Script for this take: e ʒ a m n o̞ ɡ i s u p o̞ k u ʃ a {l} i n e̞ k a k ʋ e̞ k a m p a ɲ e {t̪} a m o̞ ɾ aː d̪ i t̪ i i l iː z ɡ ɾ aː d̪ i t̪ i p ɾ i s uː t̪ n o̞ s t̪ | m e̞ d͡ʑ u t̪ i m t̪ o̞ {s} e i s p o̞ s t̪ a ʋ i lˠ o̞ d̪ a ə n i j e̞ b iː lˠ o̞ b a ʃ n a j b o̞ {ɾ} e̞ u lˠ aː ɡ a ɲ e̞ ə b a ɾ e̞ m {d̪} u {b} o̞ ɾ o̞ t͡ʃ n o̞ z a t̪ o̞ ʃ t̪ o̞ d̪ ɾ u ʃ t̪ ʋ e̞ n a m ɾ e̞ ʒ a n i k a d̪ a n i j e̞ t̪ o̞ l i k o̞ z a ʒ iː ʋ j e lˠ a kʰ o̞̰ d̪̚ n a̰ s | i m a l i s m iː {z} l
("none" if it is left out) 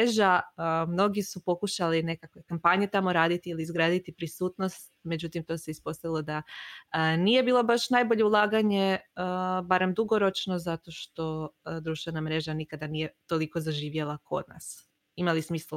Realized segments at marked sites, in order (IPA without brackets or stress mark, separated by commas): l, t̪, s, ʎ, d̪, ɡ, s